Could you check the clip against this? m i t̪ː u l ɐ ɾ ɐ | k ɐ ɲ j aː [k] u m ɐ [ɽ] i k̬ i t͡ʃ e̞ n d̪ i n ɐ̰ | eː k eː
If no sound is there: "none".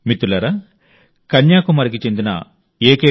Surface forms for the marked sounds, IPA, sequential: k, ɾ

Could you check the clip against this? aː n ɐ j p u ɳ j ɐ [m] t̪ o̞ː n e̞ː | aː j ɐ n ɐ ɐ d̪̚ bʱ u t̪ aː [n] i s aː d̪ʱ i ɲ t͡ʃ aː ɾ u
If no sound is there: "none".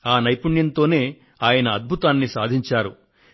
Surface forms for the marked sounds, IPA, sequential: n, nː

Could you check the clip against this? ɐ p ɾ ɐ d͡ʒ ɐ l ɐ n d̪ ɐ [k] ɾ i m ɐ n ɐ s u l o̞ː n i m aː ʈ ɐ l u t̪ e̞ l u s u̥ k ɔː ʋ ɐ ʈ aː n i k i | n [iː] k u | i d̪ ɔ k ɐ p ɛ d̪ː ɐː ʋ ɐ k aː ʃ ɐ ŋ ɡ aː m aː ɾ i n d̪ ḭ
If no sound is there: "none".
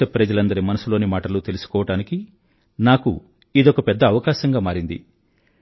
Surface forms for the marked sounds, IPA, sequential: none, aː

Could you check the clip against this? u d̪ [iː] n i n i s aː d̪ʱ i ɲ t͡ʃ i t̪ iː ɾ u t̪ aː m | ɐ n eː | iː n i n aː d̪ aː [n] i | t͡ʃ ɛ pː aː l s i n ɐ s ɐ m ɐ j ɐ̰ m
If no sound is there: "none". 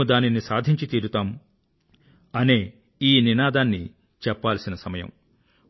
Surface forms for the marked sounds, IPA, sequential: aː, nː

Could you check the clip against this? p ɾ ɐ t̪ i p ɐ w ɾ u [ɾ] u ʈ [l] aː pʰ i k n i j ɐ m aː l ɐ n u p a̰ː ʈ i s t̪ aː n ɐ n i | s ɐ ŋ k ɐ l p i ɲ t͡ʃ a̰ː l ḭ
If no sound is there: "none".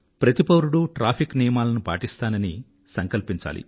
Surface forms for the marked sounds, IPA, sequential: ɽ, ɾ

